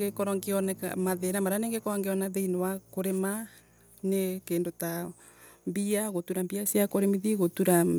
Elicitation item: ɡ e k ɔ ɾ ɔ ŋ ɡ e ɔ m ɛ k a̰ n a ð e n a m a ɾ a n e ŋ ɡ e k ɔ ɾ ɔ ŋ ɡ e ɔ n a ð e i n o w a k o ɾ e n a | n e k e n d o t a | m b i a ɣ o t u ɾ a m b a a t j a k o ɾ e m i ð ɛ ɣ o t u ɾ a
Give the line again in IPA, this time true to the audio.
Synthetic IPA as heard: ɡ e k ɔ ɾ ɔ ŋ ɡ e ɔ n ɛ k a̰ m a ð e n a m a ɾ a n e ŋ ɡ e k ɔ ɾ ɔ ŋ ɡ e ɔ n a ð e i n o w a k o ɾ e m a | n e k e n d o t a | m b i a ɣ o t u ɾ a m b i a s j a k o ɾ e m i ð i ɣ o t u ɾ a